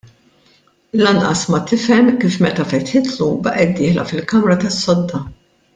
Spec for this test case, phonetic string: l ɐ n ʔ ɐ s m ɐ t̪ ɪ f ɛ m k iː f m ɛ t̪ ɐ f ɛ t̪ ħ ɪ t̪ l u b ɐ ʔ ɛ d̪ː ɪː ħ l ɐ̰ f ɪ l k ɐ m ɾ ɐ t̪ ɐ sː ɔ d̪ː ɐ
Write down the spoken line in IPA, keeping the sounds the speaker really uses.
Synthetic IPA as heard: l ɐ n ʔ ɐ s m ɐ t̪ ɪ f ɛ m k iː f m ɛ t̪ ɐ f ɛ t̪ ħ ɪ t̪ l u b ɐ ʔ ɛ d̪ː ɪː ħ l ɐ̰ f ɪ l k ɐ m ɾ ɐ t̪ ɐ sː ɔ d̪ː ɐ